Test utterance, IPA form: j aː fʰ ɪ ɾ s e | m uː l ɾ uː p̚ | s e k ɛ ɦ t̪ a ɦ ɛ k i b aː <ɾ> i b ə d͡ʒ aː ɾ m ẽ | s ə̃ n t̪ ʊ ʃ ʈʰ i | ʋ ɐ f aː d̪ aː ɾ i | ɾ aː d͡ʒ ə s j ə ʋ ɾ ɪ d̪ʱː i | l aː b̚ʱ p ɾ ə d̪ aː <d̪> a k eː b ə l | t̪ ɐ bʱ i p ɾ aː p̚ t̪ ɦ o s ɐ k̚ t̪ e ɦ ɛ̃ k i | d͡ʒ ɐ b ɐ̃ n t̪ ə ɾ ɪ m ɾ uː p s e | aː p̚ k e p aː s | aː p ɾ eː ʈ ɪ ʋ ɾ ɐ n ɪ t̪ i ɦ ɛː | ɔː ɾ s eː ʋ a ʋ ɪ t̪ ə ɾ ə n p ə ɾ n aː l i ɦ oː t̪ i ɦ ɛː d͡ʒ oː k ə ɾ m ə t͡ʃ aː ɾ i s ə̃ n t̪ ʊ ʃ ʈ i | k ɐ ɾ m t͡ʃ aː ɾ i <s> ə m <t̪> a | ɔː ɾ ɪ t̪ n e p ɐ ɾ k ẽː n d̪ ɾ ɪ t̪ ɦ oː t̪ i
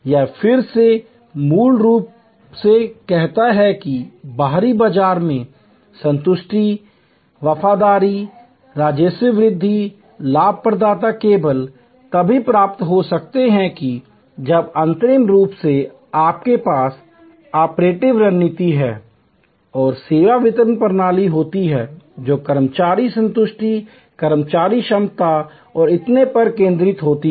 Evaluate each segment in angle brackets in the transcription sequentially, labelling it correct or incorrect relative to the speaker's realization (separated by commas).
correct, incorrect, incorrect, correct